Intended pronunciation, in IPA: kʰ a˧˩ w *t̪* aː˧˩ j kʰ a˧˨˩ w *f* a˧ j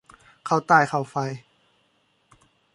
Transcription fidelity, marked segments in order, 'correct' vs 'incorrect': correct, correct

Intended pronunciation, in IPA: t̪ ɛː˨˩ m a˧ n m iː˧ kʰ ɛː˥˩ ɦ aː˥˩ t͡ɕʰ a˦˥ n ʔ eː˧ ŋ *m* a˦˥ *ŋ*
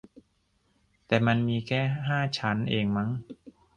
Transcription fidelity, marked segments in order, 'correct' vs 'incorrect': correct, correct

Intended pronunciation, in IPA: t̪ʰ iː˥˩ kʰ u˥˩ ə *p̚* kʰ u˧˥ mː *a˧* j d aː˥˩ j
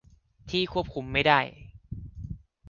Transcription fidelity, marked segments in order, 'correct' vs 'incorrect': correct, incorrect

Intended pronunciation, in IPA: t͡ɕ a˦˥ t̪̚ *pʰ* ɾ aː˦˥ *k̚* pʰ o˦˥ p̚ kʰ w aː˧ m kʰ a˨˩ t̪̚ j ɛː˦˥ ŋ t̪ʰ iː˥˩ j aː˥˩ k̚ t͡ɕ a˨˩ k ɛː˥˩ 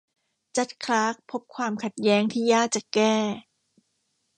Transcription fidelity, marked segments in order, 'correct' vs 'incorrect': incorrect, correct

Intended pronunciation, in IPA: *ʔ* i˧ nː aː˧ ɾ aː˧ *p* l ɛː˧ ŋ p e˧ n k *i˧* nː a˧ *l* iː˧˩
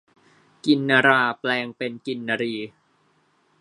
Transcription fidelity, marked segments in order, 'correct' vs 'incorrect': incorrect, correct, correct, incorrect

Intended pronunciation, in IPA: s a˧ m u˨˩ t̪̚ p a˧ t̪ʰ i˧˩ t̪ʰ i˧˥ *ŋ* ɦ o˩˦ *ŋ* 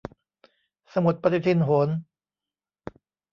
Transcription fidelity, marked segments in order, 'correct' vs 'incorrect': incorrect, incorrect

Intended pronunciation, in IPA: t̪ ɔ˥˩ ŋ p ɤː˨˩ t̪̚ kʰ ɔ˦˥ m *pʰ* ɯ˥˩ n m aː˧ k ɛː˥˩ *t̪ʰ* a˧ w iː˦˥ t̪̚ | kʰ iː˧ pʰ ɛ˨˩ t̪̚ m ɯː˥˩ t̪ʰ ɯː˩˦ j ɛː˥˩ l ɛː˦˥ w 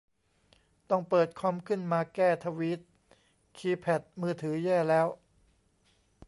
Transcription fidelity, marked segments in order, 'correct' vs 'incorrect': incorrect, correct

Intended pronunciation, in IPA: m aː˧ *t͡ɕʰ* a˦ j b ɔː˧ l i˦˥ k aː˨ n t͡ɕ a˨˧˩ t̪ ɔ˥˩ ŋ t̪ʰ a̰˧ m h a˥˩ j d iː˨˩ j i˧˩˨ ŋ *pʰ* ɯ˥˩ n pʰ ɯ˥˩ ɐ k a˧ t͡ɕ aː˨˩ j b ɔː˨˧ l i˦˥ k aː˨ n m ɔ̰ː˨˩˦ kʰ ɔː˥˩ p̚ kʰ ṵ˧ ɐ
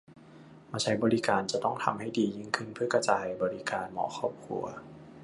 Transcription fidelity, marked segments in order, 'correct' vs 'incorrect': correct, incorrect

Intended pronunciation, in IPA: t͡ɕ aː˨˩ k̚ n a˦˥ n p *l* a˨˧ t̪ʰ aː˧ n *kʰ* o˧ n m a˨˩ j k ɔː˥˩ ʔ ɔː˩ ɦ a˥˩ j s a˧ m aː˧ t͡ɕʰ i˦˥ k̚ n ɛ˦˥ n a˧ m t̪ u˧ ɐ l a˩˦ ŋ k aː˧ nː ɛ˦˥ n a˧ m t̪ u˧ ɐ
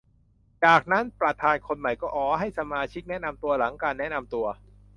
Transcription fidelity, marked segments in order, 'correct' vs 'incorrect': incorrect, correct

